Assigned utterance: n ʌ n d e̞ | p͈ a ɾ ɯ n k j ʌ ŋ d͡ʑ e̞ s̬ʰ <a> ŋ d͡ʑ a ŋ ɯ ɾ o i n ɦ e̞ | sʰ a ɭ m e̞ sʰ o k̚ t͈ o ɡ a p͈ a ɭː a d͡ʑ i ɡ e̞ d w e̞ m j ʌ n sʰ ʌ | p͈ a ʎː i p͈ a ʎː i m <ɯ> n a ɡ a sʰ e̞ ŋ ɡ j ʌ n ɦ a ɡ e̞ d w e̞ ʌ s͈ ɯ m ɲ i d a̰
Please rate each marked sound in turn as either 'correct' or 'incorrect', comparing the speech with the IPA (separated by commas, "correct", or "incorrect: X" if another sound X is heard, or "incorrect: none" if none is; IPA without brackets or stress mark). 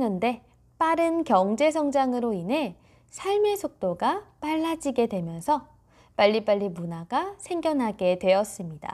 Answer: incorrect: ʌ, incorrect: u